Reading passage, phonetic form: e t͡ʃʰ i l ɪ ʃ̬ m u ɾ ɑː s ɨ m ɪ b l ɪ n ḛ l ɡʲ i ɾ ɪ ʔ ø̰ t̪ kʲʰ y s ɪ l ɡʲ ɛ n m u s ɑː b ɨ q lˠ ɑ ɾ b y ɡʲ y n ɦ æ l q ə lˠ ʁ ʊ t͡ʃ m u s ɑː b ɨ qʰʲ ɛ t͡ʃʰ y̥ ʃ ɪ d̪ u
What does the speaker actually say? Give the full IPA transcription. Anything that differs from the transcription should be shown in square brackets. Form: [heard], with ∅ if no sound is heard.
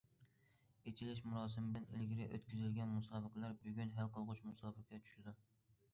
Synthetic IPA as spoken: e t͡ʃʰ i l ɪ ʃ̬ m u ɾ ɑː s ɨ m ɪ b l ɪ n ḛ l ɡʲ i ɾ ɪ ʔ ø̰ t̪ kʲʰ y [z] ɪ l ɡʲ ɛ n m u s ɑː b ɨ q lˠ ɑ ɾ b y ɡʲ y n ɦ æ l q ə lˠ ʁ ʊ t͡ʃ m u s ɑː b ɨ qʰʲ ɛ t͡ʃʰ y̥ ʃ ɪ d̪ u